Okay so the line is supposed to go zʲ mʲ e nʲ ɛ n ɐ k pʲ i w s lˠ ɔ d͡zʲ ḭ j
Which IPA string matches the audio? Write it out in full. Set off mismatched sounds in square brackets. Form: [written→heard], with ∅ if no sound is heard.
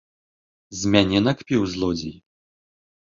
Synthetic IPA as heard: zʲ mʲ [e→a] nʲ ɛ n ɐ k pʲ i w [s→z] lˠ ɔ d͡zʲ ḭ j